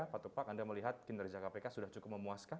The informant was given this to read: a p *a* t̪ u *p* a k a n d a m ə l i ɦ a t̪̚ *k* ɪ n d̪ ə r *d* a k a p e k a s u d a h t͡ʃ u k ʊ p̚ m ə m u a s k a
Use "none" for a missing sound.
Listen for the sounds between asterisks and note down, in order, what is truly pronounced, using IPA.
a, p, k, d͡ʒ

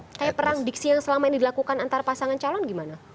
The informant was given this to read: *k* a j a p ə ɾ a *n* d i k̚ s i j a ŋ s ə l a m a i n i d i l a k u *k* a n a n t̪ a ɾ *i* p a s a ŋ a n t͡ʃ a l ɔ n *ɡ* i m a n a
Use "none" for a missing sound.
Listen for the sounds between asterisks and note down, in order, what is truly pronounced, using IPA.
k, ŋ, k, a, ɡ

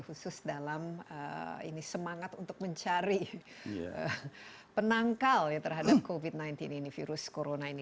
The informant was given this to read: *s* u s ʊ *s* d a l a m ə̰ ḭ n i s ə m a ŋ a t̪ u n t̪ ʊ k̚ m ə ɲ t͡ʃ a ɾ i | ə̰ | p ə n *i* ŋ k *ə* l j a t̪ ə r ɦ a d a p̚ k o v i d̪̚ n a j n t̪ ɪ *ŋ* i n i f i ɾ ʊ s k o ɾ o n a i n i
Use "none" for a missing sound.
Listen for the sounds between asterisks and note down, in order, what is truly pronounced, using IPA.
h, s, a, a, n

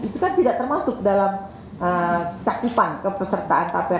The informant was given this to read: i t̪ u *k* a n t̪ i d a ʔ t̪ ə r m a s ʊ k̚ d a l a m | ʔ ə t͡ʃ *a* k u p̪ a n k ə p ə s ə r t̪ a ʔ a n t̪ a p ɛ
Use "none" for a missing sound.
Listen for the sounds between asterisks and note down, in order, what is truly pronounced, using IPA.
k, a

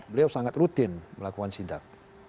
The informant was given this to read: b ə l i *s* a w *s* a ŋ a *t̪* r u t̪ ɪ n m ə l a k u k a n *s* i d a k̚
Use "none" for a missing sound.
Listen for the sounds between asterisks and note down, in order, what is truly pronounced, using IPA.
none, s, t̪, s

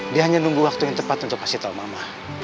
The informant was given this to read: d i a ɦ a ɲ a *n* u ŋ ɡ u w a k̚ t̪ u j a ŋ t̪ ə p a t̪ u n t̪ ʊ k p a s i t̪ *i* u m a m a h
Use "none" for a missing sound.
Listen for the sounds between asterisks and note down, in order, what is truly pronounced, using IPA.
n, a

